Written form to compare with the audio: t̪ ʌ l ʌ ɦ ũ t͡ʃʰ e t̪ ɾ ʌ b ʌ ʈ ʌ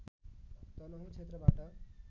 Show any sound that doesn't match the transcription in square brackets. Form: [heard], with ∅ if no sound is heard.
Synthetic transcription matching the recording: t̪ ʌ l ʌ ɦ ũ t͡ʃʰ e t̪ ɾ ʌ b [a] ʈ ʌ